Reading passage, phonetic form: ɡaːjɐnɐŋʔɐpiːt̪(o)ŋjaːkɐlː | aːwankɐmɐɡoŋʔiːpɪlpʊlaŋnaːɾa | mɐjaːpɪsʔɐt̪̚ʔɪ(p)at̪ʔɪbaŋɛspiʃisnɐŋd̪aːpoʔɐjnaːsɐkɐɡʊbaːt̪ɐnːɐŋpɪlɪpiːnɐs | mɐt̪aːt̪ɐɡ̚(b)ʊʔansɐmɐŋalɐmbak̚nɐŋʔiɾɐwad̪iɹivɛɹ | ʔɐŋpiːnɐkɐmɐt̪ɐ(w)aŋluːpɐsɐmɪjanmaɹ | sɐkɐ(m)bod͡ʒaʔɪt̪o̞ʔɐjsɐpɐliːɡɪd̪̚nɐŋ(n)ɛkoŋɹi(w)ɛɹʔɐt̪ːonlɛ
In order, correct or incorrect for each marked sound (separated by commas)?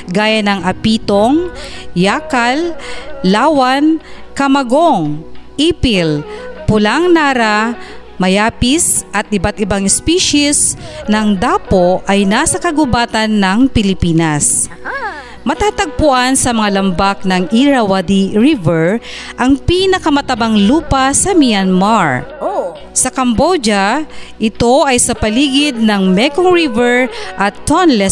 correct, incorrect, incorrect, incorrect, correct, incorrect, incorrect